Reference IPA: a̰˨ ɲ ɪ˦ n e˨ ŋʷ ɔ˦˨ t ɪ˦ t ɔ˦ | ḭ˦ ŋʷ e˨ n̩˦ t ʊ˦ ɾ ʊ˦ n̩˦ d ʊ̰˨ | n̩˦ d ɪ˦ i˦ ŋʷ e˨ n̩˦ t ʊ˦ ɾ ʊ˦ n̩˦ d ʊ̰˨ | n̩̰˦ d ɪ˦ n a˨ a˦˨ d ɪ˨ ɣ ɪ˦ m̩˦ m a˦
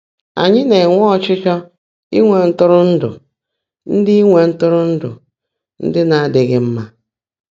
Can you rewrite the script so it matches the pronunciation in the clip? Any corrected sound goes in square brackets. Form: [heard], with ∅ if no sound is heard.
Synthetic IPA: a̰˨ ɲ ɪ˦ n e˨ ŋʷ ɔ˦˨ [t͡ʃ] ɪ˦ [t͡ʃ] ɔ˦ | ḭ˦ ŋʷ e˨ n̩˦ t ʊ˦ ɾ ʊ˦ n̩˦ d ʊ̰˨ | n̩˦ d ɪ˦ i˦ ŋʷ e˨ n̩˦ t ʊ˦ ɾ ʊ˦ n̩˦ d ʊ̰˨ | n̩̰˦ d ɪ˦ n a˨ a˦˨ d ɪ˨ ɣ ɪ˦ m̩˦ m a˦